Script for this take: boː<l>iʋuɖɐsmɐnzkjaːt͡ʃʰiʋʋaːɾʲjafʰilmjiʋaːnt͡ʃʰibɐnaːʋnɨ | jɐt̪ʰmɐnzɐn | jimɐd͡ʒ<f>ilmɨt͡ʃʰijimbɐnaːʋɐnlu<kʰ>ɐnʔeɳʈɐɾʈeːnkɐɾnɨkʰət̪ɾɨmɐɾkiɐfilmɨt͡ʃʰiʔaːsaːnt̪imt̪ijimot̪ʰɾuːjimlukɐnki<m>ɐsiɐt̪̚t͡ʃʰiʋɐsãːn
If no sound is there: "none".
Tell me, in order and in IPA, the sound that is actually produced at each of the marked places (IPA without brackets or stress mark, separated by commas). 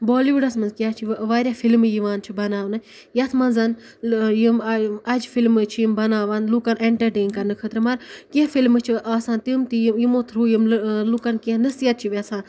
l, f, k, n